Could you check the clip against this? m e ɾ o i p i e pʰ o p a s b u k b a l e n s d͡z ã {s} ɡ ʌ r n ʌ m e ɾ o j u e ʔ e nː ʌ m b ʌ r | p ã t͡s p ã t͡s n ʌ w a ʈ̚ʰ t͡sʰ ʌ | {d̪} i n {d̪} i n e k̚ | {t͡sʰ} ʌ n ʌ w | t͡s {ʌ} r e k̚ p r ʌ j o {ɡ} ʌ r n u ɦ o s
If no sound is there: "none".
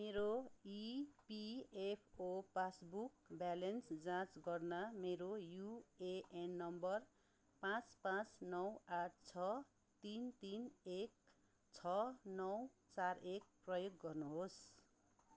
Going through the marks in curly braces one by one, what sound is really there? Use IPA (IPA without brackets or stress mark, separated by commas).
t͡s, t̪, t̪, t͡sʰ, a, ɡː